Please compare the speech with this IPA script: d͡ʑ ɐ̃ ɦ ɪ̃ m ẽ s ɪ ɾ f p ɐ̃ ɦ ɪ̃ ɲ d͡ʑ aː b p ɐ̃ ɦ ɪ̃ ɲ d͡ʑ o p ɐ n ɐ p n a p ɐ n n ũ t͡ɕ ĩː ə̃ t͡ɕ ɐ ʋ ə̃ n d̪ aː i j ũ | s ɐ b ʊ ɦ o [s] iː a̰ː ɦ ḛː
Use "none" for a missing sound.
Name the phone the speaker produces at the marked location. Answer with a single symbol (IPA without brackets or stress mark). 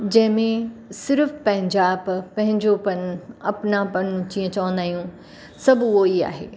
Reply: none